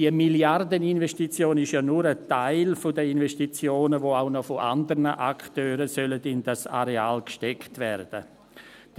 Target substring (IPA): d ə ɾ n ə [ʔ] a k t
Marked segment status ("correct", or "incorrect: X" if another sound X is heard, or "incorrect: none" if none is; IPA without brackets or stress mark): correct